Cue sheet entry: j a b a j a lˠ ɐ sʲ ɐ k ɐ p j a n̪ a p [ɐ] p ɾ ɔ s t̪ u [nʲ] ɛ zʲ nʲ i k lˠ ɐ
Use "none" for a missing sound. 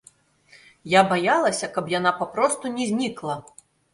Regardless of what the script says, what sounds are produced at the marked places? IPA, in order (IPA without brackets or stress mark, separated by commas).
a, nʲ